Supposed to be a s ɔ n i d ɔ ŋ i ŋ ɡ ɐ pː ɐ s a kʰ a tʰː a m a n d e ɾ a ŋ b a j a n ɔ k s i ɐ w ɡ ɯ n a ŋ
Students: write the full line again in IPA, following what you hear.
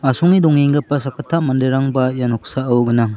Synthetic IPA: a s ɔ ŋ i d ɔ ŋ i ŋ ɡ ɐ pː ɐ s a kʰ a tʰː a m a n d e ɾ a ŋ b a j a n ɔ k s a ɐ w ɡ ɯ n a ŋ